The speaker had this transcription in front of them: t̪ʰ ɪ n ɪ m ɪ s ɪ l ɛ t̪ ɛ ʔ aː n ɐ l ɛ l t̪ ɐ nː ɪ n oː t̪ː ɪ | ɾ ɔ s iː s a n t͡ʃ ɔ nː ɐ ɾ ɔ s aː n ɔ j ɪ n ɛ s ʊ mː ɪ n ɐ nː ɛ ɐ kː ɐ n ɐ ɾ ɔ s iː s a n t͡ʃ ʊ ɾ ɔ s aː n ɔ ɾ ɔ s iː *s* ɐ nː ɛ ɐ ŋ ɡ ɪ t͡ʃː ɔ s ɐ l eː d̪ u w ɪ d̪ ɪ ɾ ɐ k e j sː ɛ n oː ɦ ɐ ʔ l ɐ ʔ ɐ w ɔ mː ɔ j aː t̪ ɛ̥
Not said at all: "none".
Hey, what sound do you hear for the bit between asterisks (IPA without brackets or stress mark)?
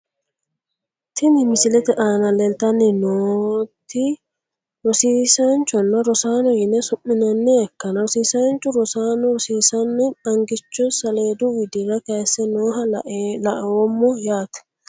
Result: s